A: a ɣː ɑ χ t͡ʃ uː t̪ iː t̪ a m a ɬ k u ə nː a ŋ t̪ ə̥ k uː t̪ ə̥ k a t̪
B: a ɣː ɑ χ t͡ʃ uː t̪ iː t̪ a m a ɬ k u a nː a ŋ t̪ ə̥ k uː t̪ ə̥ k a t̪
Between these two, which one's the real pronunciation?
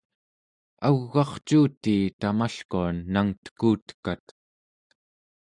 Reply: B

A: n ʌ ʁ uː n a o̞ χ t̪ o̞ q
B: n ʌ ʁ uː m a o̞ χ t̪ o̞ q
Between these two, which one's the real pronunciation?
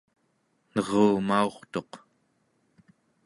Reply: B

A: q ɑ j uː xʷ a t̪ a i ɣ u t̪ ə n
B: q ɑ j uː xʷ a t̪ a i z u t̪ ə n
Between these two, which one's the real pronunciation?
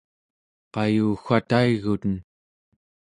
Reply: A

